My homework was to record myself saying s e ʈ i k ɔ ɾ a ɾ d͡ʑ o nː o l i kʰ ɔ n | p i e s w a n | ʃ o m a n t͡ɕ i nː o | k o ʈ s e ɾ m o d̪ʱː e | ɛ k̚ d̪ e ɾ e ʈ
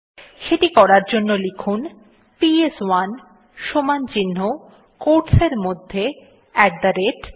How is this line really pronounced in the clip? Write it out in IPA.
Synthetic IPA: ʃ e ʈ i k ɔ ɾ a ɾ d͡ʑ o nː o l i kʰ u n | p i e s w a n | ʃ o m a n t͡ɕ i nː o | k o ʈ s e ɾ m o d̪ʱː e | ɛ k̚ d̪ a ɾ e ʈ

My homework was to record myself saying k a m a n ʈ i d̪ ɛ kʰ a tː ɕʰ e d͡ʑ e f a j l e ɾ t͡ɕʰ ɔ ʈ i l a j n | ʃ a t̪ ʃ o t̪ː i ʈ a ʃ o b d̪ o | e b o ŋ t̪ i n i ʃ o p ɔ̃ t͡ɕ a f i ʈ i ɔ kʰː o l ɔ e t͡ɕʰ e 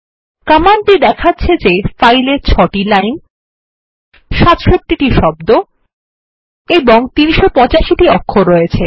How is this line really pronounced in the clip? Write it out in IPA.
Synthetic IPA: k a m a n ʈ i d̪ ɛ kʰ a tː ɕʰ e d͡ʑ e f a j l e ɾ t͡ɕʰ ɔ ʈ i l a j n | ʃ a t̪ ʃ o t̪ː i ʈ i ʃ ɔ b d̪ o | e b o ŋ t̪ i n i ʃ o p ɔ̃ t͡ɕ a ʃ i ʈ i ɔ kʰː o ɾ ɔ e t͡ɕʰ e

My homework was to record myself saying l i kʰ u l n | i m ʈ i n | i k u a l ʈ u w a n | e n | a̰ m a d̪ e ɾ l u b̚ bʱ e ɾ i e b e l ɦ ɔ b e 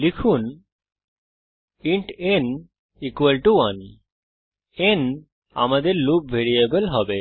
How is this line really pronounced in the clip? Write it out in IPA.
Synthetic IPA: l i kʰ u n | i ɳ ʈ e n | i k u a l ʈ u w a n | e n | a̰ m a d̪ e ɾ l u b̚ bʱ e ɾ i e b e l ɦ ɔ b e

